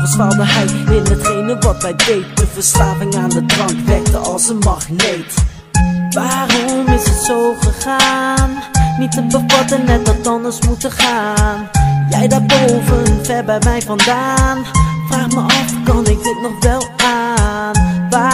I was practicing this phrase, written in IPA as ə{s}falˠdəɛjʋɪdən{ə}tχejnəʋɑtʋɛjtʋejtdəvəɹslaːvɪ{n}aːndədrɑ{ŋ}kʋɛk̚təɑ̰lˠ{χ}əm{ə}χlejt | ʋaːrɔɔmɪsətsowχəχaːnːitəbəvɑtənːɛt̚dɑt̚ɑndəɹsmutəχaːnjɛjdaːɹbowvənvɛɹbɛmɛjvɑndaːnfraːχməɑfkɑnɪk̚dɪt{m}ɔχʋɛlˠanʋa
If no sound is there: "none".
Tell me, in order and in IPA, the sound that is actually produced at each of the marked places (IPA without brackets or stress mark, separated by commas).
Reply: s, ə, ŋ, ŋ, s, ɑ, n